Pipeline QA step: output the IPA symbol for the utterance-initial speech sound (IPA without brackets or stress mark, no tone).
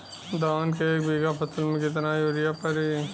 d̪